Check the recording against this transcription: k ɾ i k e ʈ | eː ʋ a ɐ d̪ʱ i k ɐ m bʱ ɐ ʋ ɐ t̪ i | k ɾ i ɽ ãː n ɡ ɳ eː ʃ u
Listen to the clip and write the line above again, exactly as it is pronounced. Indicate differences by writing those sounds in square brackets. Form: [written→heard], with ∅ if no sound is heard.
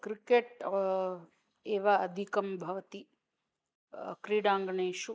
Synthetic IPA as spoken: k ɾ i k e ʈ | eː ʋ a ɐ d̪ʱ i k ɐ m bʱ ɐ ʋ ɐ t̪ i | k ɾ i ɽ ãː [n→ŋ] ɡ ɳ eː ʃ u